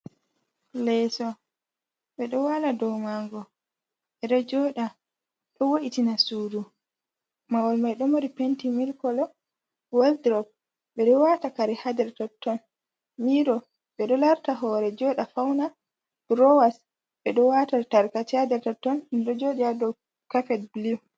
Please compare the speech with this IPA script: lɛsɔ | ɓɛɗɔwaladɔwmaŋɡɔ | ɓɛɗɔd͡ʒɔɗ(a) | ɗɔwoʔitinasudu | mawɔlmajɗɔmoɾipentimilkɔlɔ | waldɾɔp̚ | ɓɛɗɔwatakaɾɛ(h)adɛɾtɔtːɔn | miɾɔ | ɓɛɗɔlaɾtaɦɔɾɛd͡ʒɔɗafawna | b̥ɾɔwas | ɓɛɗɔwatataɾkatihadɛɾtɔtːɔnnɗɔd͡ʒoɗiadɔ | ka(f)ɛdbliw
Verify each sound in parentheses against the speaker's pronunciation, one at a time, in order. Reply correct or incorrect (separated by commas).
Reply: correct, correct, correct